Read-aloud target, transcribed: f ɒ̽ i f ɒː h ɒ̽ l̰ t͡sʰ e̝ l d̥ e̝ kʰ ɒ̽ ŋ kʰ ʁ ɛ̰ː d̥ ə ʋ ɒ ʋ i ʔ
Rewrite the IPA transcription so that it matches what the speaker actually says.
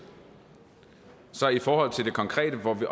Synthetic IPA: s ɒ̽ i f ɒː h ɒ̽ l̰ t͡sʰ e̝ l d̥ e̝ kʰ ɒ̽ ŋ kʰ ʁ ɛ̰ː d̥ ə ʋ ɒ ʋ i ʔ